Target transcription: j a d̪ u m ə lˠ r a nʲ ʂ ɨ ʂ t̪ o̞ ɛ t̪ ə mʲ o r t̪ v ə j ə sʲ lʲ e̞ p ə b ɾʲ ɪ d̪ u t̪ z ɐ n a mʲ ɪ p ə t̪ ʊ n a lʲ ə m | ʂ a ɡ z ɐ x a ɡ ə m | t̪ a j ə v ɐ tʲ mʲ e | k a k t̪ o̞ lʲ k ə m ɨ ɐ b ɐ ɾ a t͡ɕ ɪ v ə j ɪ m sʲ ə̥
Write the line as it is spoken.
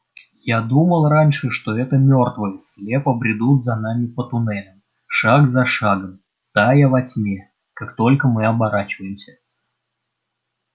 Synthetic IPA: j a d̪ u m ə lˠ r a nʲ ʂ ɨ ʂ t̪ o̞ ɛ t̪ ə mʲ o r t̪ v ə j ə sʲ lʲ e̞ p ə b ɾʲ ɪ d̪ u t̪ z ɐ n a mʲ ɪ p ə t̪ ʊ n ɛ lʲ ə m | ʂ a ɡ z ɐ ʂ a ɡ ə m | t̪ a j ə v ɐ tʲ mʲ e | k a k t̪ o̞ lʲ k ə m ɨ ɐ b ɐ ɾ a t͡ɕ ɪ v ə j ɪ m sʲ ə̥